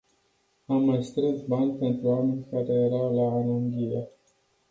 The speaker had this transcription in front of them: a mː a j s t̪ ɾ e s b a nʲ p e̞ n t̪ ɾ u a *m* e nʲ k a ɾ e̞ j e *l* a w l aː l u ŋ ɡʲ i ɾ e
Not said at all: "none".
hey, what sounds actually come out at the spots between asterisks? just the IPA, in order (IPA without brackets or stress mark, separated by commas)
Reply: m, ɾ